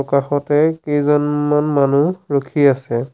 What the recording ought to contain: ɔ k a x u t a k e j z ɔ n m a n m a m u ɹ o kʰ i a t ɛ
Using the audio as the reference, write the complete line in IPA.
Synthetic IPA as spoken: ɔ k a x ɔ t ɛ k e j z ɔ n m a n m a n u ɹ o kʰ i a s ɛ